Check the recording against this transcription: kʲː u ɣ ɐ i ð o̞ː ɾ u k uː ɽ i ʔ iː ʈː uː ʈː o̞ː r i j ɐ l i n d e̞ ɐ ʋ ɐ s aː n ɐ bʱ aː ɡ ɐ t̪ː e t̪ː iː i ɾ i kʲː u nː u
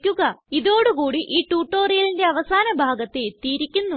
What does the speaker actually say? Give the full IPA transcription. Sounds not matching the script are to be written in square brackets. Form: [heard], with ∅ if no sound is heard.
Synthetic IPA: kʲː u ɣ ɐ i ð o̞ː [ɽ] u k uː ɽ i ʔ iː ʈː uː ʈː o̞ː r i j ɐ l i n d e̞ ɐ ʋ ɐ s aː n ɐ bʱ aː ɡ ɐ t̪ː e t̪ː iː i ɾ i kʲː u nː u

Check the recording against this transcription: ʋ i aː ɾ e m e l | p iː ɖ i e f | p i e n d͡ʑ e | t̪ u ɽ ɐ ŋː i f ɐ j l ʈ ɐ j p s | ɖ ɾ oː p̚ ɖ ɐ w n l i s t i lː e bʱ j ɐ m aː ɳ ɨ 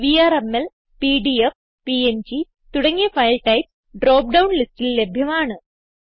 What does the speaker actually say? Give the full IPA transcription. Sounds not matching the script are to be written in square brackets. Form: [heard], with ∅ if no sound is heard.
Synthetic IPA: ʋ i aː ɾ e m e l | p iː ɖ i e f | p i e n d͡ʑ [i] | t̪ u ɽ ɐ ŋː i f ɐ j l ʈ ɐ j p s | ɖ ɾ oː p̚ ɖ ɐ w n l i s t i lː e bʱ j ɐ m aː ɳ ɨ

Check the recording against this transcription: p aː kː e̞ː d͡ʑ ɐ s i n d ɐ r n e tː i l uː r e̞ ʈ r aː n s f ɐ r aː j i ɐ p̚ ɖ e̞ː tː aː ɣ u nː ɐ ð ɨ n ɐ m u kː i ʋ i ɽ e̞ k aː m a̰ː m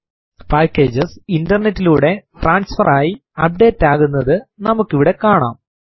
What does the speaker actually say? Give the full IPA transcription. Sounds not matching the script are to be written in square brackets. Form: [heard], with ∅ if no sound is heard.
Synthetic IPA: p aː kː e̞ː d͡ʑ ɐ s i n d ɐ r n e tː i l uː [ɽ] e̞ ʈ r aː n s f ɐ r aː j i ɐ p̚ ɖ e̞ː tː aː ɣ u nː ɐ ð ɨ n ɐ m u kː i ʋ i ɽ e̞ k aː [ɳ] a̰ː m

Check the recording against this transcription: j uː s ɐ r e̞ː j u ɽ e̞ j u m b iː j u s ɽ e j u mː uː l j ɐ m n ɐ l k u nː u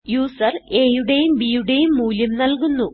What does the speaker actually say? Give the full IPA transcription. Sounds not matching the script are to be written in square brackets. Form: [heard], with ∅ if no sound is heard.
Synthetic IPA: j uː s ɐ r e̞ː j u ɽ e̞ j u m b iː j u [∅] ɽ e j u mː uː l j ɐ m n ɐ l k u nː u

